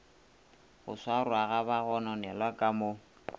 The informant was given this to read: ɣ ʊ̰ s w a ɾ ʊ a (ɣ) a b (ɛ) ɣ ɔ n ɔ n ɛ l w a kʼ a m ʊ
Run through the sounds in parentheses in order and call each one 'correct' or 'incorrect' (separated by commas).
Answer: correct, incorrect